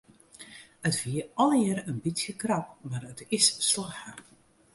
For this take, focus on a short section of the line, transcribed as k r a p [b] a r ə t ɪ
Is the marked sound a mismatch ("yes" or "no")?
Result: yes